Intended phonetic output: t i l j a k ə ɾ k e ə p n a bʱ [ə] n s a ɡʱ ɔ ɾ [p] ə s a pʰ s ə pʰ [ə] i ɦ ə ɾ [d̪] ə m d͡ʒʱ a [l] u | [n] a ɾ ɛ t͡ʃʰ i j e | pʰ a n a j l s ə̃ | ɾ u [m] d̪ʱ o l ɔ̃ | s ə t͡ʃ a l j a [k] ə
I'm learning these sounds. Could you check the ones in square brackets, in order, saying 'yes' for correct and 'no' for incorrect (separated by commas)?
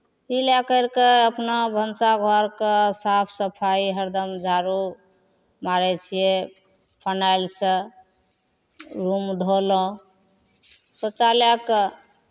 yes, no, no, yes, no, no, yes, yes